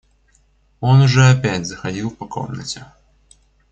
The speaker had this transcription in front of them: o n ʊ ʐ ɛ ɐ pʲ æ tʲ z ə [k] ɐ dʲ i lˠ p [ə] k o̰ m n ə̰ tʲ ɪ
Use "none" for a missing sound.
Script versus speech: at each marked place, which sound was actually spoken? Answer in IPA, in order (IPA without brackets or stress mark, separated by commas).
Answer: x, ɐ